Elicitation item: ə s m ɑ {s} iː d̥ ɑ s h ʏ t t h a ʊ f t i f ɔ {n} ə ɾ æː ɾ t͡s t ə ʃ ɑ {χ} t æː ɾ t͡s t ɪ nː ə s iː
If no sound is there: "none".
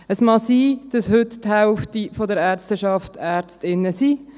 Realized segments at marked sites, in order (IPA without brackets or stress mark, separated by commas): s, d, f